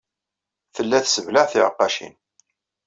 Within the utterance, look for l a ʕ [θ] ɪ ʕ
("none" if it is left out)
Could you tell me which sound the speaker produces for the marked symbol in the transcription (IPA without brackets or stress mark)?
θ